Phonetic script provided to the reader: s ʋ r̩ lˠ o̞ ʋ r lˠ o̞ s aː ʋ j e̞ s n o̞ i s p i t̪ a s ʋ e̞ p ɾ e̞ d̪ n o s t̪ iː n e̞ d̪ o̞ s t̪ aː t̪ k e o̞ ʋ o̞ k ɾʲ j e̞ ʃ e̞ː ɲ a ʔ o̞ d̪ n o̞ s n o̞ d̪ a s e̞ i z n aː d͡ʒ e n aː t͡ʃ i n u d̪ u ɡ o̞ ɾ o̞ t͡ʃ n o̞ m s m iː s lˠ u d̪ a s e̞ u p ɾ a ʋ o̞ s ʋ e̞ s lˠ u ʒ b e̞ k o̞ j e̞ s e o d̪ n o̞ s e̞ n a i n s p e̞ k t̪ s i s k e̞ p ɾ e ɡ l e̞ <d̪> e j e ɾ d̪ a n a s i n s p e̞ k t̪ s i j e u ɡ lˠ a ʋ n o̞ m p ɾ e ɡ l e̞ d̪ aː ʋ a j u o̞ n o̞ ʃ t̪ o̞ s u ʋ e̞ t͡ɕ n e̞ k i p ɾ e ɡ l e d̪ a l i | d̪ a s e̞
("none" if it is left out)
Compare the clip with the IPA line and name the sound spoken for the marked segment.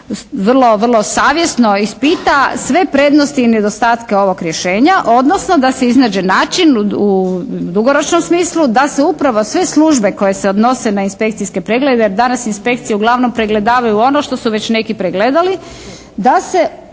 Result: d̪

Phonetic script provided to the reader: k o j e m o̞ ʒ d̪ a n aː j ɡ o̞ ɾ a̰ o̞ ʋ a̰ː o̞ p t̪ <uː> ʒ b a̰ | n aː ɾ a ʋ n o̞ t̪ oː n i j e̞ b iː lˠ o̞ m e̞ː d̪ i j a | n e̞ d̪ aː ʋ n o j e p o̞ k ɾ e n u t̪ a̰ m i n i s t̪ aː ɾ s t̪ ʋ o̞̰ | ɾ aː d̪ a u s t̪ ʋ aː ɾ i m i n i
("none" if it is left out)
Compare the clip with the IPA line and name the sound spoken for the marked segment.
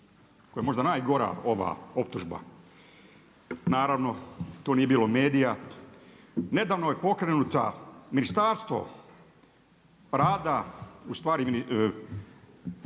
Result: u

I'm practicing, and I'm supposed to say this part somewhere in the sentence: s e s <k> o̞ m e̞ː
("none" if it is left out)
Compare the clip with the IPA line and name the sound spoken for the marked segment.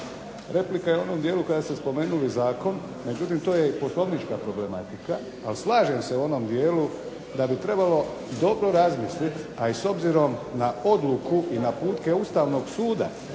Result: p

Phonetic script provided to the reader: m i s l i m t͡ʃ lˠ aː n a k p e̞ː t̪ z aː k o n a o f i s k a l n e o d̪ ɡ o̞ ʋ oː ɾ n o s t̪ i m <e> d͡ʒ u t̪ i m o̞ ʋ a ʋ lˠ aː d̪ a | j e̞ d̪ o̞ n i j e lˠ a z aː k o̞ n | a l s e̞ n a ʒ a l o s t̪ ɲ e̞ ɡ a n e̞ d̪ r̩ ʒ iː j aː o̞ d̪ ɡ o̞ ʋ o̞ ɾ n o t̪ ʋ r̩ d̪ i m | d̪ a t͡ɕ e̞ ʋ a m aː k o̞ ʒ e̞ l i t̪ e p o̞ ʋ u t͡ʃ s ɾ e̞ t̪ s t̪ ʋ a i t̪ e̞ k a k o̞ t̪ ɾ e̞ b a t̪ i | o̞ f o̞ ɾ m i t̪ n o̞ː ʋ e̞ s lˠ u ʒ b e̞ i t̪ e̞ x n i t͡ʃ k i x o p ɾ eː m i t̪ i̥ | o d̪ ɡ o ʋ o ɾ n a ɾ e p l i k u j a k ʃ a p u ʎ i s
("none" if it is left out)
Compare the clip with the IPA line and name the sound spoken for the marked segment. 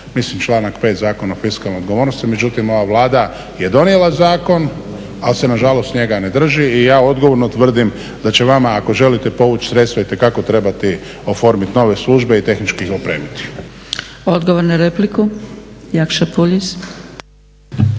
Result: e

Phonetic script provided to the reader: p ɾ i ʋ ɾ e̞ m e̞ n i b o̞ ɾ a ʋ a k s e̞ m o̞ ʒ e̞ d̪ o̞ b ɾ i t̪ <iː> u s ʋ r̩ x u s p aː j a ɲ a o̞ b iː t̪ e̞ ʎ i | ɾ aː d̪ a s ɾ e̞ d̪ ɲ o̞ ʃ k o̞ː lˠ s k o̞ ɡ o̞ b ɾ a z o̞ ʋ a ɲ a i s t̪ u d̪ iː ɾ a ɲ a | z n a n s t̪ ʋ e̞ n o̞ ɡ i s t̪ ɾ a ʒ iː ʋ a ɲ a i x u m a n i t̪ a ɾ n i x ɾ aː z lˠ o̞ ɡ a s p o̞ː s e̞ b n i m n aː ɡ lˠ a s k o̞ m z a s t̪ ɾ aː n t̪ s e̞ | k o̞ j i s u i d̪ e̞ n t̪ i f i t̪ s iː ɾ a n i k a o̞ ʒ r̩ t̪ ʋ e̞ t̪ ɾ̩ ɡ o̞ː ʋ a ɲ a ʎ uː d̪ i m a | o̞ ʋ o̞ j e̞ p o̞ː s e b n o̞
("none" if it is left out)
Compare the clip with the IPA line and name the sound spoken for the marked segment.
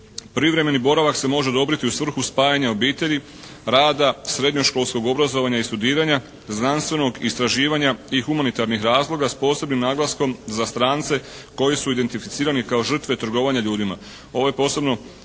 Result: i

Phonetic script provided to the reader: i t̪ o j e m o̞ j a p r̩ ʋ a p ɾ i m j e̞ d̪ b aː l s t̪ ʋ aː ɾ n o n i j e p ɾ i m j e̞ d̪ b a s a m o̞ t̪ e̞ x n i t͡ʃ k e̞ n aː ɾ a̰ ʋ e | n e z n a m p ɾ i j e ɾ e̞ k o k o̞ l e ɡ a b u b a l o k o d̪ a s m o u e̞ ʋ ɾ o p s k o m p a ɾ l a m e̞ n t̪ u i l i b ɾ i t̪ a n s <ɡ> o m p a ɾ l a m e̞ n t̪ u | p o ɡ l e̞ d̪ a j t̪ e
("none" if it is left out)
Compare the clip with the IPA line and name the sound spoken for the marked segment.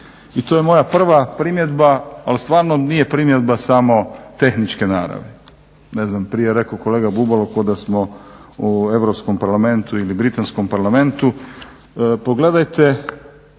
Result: k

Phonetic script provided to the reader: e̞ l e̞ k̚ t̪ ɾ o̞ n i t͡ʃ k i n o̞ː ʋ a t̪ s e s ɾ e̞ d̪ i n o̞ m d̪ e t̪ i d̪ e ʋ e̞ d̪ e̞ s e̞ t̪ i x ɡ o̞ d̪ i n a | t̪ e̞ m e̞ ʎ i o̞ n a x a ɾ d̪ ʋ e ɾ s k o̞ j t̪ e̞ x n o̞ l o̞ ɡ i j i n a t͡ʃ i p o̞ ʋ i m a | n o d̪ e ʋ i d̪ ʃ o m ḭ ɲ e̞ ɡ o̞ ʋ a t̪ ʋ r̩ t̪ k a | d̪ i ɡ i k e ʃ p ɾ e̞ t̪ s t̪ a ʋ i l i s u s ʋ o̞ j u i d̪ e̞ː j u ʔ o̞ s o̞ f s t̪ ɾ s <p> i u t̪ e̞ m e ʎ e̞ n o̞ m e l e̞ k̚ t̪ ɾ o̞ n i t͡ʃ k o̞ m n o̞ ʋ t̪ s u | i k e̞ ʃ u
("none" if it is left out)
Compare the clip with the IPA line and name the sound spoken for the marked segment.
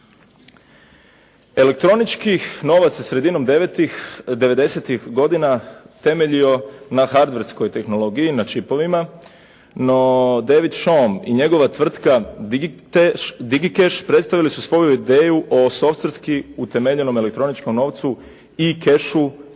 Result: k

